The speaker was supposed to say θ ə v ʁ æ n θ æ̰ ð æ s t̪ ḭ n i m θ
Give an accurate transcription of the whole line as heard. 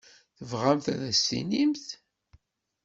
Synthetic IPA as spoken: θ ə v ʁ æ m θ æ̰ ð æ s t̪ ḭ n i m θ